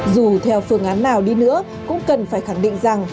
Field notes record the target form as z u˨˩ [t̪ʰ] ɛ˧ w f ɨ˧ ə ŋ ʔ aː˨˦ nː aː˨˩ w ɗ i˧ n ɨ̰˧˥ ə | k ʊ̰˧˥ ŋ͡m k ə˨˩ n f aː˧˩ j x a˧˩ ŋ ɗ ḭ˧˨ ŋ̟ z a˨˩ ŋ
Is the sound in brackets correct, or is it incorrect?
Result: correct